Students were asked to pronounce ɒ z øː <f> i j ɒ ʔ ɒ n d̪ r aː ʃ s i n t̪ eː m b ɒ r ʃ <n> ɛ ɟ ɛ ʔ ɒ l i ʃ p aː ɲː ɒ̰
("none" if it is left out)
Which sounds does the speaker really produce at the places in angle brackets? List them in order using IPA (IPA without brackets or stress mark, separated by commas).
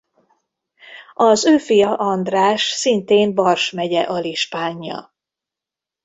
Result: f, m